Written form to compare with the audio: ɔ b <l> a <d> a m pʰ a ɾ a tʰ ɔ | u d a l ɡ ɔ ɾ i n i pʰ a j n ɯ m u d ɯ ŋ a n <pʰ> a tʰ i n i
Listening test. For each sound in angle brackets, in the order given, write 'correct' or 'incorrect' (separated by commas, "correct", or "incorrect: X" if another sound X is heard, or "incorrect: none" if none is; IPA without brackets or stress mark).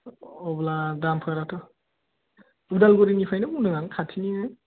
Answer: correct, correct, incorrect: kʰ